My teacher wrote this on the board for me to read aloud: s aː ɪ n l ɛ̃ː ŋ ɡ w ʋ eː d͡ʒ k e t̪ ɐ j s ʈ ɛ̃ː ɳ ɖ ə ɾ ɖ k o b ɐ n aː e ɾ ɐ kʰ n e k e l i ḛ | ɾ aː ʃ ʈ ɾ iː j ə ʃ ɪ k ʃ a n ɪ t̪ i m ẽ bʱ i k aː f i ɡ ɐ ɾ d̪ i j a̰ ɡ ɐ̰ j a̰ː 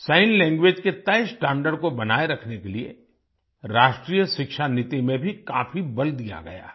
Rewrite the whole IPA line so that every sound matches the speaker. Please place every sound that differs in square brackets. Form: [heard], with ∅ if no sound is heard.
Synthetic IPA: s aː ɪ n l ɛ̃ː ŋ ɡ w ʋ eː d͡ʒ k e t̪ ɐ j s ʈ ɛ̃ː ɳ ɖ ə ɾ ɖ k o b ɐ n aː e ɾ ɐ kʰ n e k e l i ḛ | ɾ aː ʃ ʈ ɾ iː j ə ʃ ɪ k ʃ a n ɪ t̪ i m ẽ bʱ i k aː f i [b] ɐ [l] d̪ i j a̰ ɡ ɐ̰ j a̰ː